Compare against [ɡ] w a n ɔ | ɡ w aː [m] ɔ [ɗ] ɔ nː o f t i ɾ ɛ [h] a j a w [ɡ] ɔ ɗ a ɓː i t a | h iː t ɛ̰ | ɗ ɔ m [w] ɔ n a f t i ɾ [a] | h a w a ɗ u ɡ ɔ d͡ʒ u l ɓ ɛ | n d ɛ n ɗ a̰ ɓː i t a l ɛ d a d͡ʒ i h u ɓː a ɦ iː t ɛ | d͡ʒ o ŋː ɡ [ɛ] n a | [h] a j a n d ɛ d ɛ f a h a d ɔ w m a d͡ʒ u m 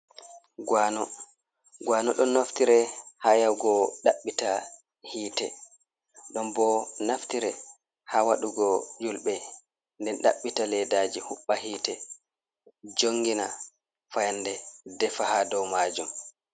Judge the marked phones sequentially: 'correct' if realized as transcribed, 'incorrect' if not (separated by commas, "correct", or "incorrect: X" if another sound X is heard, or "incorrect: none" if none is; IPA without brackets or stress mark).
correct, incorrect: n, correct, correct, correct, incorrect: b, incorrect: ɛ, incorrect: i, incorrect: f